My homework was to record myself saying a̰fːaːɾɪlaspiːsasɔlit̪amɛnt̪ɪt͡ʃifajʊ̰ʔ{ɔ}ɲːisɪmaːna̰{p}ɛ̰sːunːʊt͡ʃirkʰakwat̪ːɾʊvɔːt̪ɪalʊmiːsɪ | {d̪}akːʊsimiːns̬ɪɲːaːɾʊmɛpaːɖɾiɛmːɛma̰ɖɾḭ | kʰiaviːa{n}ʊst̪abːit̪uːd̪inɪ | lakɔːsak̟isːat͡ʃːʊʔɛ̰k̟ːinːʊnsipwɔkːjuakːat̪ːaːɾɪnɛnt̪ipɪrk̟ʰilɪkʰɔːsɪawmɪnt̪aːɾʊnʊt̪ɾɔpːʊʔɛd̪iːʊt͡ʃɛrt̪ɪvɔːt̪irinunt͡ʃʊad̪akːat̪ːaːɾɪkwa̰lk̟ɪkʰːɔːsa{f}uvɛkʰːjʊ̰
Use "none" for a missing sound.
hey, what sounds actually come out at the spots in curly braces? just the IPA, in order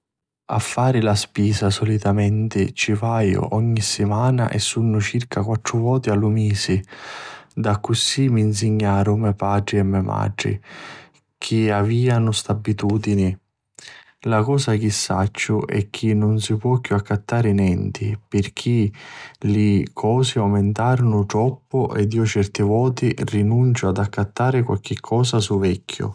ɔ, ʔ, d̪, n, s

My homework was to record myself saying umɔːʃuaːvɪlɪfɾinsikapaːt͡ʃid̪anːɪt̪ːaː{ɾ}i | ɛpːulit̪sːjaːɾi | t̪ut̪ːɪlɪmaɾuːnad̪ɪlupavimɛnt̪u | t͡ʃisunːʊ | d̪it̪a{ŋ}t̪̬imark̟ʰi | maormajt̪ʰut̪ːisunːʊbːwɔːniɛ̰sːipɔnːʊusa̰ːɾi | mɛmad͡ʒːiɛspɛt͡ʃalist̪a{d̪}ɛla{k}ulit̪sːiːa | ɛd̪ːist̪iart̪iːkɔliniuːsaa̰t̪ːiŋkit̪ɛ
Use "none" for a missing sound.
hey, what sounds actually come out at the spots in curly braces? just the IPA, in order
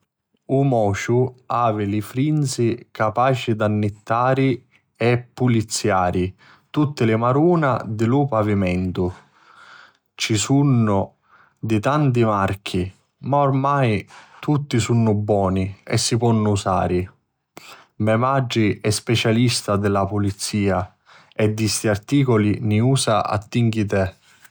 ɾ, n, d̪, p

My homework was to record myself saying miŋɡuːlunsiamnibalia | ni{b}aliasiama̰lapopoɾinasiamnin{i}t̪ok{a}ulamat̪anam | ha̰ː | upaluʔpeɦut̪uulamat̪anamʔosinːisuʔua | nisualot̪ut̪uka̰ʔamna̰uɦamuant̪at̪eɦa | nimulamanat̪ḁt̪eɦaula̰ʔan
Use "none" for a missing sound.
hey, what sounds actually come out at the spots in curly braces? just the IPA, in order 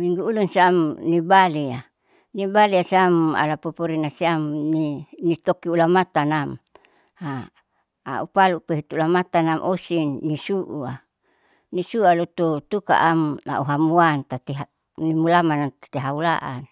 b, i, i

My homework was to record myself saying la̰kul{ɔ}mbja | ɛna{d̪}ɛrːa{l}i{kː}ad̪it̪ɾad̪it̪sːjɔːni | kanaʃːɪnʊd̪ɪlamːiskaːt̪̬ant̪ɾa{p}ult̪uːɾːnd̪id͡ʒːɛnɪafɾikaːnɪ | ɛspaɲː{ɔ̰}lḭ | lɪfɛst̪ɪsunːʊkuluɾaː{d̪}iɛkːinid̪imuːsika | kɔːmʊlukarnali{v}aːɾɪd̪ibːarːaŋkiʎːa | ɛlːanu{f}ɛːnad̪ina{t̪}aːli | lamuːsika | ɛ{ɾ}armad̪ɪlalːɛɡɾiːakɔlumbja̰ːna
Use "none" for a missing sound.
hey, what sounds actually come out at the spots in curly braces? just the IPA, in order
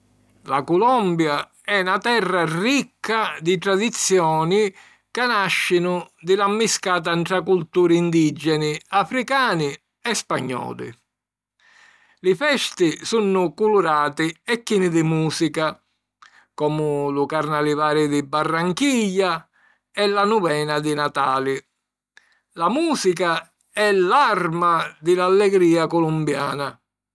ɔ, t̪, r, kː, k, ɔ̰ː, t̪, v, v, t̪, l

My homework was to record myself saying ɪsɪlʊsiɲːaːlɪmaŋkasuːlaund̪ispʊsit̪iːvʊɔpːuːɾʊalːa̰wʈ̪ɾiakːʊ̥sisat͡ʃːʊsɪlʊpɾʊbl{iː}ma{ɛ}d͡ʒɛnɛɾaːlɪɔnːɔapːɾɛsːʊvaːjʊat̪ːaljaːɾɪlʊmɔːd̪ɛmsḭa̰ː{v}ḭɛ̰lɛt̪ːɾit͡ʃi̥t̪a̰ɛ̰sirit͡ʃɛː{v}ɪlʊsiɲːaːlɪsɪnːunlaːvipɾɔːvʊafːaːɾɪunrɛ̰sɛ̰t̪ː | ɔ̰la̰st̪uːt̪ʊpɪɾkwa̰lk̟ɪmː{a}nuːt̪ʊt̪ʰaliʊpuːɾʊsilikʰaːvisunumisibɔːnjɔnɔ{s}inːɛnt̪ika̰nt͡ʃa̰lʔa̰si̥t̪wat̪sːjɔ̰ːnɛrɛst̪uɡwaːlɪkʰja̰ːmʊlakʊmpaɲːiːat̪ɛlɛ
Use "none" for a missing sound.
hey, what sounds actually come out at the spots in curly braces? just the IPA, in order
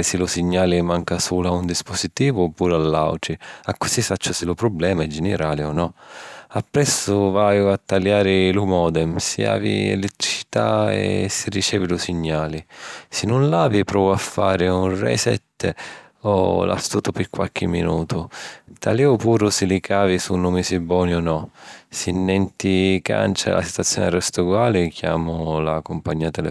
ɛː, ɛ, v, v, i, s

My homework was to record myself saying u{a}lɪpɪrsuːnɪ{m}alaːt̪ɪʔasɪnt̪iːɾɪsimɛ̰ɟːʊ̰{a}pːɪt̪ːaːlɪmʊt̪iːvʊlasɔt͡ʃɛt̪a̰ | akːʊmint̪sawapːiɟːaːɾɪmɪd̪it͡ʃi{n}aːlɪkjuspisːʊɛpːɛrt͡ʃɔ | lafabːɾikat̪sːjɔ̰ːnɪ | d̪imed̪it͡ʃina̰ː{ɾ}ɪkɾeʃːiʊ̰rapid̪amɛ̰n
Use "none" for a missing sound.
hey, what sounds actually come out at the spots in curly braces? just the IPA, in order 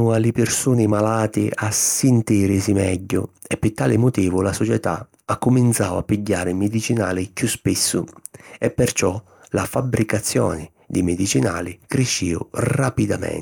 a, m, ɛ, n, l

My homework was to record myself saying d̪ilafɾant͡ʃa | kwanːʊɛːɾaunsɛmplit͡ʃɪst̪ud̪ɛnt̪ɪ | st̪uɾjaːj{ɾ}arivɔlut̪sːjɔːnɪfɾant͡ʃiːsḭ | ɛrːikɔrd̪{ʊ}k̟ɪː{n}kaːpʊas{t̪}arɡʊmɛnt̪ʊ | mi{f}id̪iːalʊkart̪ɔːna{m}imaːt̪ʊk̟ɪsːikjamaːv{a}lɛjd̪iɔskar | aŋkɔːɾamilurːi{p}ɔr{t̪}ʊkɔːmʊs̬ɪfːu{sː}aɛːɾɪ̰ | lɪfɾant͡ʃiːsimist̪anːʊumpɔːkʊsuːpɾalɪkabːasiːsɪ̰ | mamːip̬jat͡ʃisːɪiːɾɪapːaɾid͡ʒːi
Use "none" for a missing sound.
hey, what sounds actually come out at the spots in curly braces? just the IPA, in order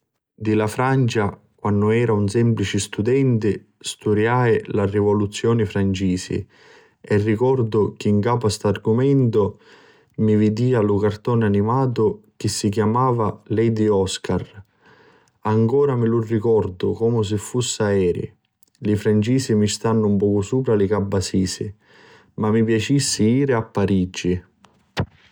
l, ʊ, ŋ, t̪, v, n, a, k, d̪, sː

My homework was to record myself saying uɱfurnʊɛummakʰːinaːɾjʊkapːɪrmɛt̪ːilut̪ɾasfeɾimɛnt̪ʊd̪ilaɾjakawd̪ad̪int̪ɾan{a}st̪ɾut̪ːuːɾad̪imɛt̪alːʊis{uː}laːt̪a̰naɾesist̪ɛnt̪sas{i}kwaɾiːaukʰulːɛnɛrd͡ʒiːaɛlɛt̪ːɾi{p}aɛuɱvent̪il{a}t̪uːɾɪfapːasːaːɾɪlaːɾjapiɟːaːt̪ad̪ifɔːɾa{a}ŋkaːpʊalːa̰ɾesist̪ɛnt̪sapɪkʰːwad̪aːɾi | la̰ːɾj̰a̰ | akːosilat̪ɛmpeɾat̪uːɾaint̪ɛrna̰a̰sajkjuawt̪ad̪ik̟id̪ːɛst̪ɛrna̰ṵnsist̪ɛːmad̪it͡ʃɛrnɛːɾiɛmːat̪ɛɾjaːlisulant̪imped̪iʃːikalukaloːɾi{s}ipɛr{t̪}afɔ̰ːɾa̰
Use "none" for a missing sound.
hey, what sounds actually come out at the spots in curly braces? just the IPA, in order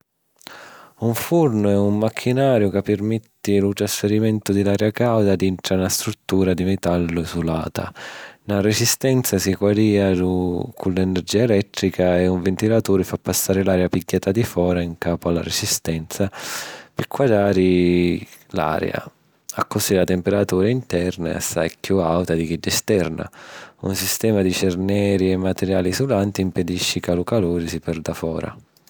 a, u, i, k, a, i, s, d̪

